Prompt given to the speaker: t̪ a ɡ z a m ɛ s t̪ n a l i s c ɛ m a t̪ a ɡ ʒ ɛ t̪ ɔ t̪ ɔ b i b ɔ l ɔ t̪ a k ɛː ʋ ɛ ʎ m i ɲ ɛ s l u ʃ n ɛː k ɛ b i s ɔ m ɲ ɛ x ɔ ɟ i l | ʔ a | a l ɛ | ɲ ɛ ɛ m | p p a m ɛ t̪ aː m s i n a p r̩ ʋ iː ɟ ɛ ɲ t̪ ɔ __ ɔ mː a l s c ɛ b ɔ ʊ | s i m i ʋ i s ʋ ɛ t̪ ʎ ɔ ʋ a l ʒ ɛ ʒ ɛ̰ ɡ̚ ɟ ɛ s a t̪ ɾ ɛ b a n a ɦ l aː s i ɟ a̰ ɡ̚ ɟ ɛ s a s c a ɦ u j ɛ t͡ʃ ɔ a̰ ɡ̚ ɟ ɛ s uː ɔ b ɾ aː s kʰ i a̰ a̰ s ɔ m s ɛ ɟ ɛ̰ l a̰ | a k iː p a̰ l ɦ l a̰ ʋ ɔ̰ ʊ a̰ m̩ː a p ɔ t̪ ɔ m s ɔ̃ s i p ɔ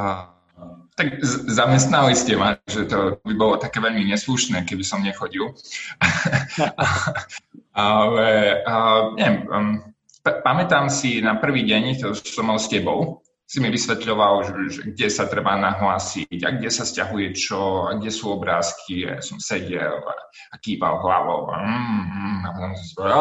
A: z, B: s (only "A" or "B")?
B